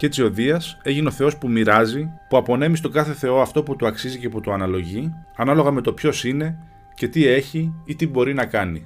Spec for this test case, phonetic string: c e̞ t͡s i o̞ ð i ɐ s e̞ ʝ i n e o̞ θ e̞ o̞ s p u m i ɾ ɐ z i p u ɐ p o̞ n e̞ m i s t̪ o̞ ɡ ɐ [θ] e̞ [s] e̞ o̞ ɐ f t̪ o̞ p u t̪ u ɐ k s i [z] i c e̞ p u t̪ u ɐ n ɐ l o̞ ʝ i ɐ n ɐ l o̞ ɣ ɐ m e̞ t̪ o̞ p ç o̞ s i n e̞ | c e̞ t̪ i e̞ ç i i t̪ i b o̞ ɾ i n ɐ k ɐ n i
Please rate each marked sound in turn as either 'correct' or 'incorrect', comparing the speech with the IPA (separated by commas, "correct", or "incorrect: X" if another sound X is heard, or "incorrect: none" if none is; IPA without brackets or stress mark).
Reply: correct, incorrect: θ, correct